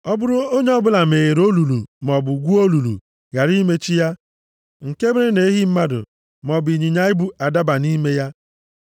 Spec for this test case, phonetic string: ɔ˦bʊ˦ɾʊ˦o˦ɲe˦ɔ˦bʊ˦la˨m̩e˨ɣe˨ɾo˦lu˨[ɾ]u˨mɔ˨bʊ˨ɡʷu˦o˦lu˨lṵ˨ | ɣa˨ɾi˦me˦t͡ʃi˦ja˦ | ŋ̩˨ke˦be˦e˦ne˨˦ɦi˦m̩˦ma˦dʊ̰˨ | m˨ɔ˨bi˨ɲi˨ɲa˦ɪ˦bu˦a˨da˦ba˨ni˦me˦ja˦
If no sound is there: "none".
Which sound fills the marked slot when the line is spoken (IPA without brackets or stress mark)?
l